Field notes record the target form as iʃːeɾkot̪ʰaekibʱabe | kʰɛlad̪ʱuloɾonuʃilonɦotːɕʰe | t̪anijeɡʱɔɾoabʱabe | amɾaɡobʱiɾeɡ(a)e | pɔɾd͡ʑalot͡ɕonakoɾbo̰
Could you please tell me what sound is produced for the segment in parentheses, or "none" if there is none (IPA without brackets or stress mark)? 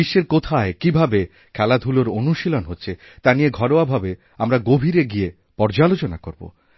i